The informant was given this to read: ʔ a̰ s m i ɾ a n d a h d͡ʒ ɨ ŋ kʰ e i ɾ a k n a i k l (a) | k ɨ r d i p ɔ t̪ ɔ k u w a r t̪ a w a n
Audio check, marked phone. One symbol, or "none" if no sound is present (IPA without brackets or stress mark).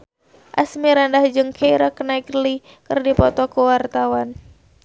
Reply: i